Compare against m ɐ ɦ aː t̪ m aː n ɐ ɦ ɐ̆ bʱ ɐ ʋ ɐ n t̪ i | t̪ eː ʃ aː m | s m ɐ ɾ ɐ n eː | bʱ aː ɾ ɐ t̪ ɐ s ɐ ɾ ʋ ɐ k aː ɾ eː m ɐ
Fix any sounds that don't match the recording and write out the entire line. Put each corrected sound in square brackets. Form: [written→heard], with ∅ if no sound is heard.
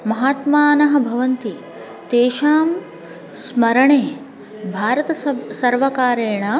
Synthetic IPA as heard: m ɐ ɦ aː t̪ m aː n ɐ ɦ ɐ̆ bʱ ɐ ʋ ɐ n t̪ i | t̪ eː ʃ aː m | s m ɐ ɾ ɐ [n→ɳ] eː | bʱ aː ɾ ɐ t̪ ɐ s ɐ ɾ ʋ ɐ k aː ɾ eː [m→ɳ] ɐ